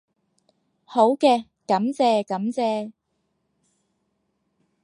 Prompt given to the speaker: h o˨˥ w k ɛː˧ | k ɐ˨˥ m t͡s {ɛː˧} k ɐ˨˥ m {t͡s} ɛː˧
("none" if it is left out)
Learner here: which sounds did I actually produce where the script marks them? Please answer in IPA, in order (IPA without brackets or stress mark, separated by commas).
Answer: ɛː˧, t͡s